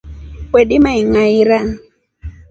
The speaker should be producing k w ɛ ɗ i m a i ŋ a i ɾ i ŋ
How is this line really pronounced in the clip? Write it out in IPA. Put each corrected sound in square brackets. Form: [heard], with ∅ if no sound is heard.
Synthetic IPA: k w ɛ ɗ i m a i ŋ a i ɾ [a] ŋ

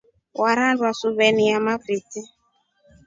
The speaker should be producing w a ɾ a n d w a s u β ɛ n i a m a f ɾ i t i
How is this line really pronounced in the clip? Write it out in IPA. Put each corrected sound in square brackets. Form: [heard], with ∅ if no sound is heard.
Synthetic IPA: w a ɾ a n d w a s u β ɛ n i a m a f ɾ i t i

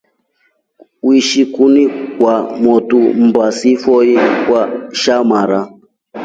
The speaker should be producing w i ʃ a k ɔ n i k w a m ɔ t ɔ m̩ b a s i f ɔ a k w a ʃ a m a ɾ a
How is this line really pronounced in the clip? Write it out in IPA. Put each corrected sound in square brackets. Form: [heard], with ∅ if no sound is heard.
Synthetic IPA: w i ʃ [i] k [u] n i k w a m ɔ t [u] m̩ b a s i f ɔ [i] k w a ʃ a m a ɾ a

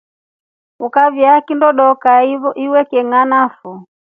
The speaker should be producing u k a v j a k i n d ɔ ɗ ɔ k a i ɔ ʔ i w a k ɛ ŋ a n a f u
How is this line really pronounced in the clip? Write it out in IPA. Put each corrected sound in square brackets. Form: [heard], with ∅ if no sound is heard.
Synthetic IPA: u k a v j a k i n d ɔ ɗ ɔ k a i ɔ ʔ i w [ɛ] k ɛ ŋ a n a f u

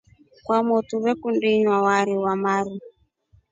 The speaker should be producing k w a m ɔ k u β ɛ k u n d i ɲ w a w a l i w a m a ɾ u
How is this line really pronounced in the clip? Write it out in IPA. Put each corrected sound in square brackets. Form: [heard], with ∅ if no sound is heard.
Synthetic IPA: k w a m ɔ [t] u β ɛ k u n d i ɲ w a w a [ɾ] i w a m a ɾ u

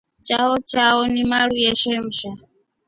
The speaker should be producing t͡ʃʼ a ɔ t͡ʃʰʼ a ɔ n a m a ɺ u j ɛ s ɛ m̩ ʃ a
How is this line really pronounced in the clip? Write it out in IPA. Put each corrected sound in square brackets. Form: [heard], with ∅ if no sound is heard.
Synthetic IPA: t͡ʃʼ a ɔ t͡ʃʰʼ a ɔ n [i] m a ɺ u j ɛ [ʃ] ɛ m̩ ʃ a

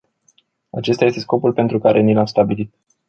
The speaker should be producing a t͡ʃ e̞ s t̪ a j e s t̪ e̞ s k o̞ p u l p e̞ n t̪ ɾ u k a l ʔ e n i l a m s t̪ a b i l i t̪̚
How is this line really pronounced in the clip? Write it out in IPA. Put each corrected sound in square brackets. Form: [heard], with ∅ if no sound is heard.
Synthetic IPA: a t͡ʃ e̞ s t̪ a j e s t̪ e̞ s k o̞ p u l p e̞ n t̪ ɾ u k a [ɾ] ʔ e n i l a m s t̪ a b i l i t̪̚

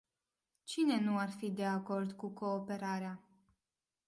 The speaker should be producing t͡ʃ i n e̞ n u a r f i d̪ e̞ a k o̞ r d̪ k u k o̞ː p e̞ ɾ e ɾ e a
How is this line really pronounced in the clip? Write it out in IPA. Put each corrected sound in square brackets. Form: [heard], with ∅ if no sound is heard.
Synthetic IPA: t͡ʃ i n e̞ n u a r f i d̪ e̞ a k o̞ r d̪ k u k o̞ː p e̞ ɾ [a] ɾ e a

